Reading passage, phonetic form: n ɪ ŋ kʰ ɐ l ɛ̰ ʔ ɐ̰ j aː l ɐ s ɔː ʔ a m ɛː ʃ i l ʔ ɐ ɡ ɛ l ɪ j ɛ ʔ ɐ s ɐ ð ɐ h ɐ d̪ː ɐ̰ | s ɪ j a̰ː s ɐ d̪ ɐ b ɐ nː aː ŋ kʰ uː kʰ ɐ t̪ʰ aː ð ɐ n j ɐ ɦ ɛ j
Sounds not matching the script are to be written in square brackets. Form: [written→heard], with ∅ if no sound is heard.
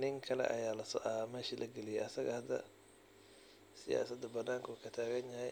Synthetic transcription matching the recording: n ɪ ŋ kʰ ɐ l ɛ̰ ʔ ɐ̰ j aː l ɐ s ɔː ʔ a m ɛː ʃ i l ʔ ɐ ɡ ɛ l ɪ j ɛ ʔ ɐ s ɐ [ð→ɣ] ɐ h ɐ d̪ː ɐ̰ | s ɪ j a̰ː s ɐ d̪ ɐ b ɐ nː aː ŋ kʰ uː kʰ ɐ t̪ʰ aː [ð→ɣ] ɐ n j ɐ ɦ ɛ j

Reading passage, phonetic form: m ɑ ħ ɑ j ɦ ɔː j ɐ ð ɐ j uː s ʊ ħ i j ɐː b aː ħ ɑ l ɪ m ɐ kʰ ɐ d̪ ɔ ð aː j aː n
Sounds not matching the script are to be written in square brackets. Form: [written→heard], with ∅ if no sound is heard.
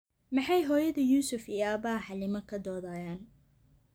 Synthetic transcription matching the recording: m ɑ ħ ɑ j ɦ ɔː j ɐ ð ɐ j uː s ʊ [ħ→f] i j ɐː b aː ħ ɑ l ɪ m ɐ kʰ ɐ d̪ [ɔ→ɔː] ð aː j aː n

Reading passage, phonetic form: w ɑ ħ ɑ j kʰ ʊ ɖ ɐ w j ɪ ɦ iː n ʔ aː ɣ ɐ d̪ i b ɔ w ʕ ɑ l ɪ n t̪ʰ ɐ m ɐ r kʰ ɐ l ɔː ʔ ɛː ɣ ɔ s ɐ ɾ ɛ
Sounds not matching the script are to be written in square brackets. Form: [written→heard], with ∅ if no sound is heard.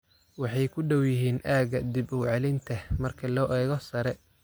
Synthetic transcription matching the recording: w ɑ ħ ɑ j kʰ ʊ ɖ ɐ w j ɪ ɦ iː n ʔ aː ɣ ɐ d̪ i b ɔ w ʕ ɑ l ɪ n t̪ʰ ɐ m ɐ r kʰ ɐ l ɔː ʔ ɛː ɣ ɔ s ɐ ɾ ɛ

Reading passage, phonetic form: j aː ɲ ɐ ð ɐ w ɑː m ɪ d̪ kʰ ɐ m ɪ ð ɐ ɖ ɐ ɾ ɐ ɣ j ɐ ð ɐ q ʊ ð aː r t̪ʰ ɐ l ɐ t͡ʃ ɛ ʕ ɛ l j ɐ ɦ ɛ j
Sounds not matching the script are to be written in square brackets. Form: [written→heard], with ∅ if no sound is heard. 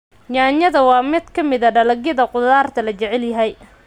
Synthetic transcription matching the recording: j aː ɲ ɐ ð ɐ w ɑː m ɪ d̪ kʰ ɐ m ɪ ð ɐ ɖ ɐ [ɾ→l] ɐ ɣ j ɐ ð ɐ q ʊ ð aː r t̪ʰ ɐ l ɐ t͡ʃ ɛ ʕ ɛ l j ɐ ɦ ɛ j

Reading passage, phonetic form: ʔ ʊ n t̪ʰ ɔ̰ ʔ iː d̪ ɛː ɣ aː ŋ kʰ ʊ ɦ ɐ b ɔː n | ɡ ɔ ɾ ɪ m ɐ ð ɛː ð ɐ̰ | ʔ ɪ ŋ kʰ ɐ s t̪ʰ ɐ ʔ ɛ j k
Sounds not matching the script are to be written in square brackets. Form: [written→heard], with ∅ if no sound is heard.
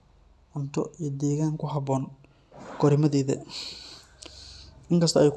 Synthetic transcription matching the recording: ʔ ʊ n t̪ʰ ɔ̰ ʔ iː d̪ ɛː ɣ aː ŋ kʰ ʊ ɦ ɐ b ɔː n | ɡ ɔ ɾ ɪ m ɐ ð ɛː ð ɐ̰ | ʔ ɪ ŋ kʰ ɐ s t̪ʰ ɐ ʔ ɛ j k

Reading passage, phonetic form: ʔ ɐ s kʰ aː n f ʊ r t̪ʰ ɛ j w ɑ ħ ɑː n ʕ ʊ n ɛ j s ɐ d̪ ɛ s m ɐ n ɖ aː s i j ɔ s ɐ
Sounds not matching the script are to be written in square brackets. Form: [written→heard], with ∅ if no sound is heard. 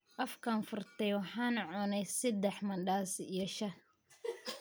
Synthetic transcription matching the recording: ʔ ɐ [s→f] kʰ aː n f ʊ r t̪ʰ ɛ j w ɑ ħ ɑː n ʕ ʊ n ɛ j s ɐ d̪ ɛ [s→ħ] m ɐ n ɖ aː s i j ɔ [s→ʃ] ɐ

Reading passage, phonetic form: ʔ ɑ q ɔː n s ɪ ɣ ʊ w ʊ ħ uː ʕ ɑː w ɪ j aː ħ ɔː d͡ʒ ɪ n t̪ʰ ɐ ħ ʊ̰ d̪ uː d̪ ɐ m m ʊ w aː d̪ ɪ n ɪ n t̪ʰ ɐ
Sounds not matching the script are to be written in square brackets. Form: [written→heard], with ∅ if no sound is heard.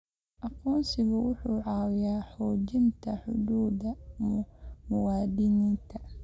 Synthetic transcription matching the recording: ʔ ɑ q ɔː n s ɪ ɣ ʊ w ʊ ħ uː ʕ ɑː w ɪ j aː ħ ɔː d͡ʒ ɪ n t̪ʰ ɐ ħ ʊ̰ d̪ uː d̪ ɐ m m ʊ w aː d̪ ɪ n ɪ n t̪ʰ ɐ

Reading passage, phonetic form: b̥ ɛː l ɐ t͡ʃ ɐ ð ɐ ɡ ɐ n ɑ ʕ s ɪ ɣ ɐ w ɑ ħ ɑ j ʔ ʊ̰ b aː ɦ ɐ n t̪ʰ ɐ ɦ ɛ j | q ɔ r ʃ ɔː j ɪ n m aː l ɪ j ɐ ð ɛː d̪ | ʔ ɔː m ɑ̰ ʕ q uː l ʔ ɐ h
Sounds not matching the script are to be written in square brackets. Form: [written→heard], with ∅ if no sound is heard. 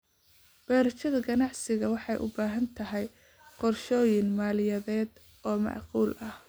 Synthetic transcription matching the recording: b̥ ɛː [l→ɾ] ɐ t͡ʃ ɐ ð ɐ ɡ ɐ n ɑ ʕ s ɪ ɣ ɐ w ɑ ħ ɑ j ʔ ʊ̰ b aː ɦ ɐ n t̪ʰ ɐ ɦ ɛ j | q ɔ r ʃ ɔː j ɪ n m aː l ɪ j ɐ ð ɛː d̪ | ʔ ɔː m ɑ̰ ʕ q uː l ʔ ɐ h

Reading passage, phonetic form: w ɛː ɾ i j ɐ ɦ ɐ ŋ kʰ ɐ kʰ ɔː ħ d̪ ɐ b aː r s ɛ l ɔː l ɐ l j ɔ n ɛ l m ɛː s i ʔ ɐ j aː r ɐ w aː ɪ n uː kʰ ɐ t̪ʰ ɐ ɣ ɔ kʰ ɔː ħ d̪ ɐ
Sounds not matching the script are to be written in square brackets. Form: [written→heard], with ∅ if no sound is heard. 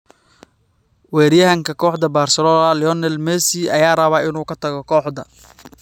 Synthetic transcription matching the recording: w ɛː ɾ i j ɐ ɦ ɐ ŋ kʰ ɐ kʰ ɔː ħ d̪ ɐ b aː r s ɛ l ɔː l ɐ l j ɔ n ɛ l m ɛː s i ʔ ɐ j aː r ɐ [w→β] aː ɪ n uː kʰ ɐ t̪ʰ ɐ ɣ ɔ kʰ ɔː ħ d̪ ɐ

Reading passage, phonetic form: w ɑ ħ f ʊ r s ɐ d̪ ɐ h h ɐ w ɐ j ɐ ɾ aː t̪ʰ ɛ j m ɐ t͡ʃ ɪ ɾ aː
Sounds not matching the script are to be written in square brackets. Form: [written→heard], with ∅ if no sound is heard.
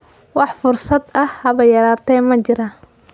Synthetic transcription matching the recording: w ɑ ħ f ʊ r s ɐ d̪ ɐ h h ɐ [w→β] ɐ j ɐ ɾ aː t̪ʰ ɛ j m ɐ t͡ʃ ɪ ɾ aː

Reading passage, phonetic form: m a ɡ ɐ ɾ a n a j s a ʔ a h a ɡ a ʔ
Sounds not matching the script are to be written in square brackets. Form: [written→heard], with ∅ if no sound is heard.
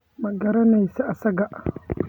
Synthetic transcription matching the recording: m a ɡ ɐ ɾ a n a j s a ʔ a [h→s] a ɡ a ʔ

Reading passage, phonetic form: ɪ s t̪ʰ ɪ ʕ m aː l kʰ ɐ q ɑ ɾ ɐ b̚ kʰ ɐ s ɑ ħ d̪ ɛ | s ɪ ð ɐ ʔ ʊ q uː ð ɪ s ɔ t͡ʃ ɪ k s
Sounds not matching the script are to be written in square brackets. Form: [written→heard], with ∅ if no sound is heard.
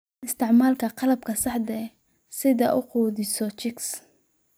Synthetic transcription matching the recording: ɪ s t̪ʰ ɪ ʕ m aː l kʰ ɐ q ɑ [ɾ→l] ɐ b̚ kʰ ɐ s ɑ ħ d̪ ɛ | s ɪ ð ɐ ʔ ʊ q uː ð ɪ s ɔ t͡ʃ ɪ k s

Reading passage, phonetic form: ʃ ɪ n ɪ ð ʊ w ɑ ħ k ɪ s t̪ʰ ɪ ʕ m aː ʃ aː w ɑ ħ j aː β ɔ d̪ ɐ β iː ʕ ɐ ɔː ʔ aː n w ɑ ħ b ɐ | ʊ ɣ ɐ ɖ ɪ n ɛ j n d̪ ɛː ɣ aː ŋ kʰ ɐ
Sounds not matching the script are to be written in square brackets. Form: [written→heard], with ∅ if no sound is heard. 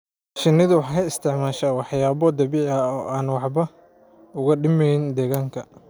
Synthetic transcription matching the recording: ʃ ɪ n ɪ ð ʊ w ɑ ħ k ɪ s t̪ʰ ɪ ʕ m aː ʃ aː w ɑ ħ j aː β ɔ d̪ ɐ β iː ʕ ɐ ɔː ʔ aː n w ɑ ħ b ɐ | ʊ ɣ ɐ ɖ ɪ [n→m] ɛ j n d̪ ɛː ɣ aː ŋ kʰ ɐ

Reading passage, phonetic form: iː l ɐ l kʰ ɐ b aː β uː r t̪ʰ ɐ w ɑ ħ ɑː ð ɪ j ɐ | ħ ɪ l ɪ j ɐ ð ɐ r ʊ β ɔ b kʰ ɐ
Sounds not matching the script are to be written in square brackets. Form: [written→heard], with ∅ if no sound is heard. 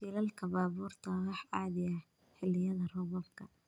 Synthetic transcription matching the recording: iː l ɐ l kʰ ɐ b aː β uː r t̪ʰ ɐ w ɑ ħ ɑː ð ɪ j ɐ | ħ ɪ l ɪ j ɐ ð ɐ r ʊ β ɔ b kʰ ɐ

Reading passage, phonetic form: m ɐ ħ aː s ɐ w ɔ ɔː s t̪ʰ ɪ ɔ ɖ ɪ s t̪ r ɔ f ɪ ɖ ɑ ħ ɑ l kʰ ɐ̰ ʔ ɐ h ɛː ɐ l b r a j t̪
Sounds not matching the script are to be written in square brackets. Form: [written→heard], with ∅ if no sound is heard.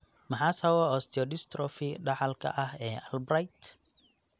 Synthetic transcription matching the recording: m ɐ ħ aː s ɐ w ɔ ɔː s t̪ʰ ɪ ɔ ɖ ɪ s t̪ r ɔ f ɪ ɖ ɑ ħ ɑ l kʰ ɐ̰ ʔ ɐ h ɛː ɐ l b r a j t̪

